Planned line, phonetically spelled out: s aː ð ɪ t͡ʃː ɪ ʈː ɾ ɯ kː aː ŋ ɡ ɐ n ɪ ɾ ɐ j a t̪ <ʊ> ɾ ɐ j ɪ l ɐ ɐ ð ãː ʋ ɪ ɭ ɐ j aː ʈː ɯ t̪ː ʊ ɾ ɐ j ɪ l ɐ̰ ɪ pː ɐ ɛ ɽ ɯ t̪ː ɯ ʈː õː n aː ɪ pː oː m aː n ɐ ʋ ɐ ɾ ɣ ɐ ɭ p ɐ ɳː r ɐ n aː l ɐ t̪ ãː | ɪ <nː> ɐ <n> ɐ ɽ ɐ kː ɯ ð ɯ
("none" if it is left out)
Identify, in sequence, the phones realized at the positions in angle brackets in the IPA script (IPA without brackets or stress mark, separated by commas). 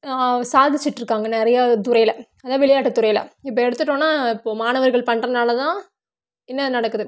ʊ, nː, n